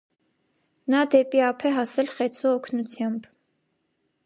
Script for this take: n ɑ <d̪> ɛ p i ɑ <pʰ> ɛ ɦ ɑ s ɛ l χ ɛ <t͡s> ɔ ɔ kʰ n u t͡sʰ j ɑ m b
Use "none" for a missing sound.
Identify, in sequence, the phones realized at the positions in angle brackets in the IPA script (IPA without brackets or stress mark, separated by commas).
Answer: d̪, pʰ, t͡sʰ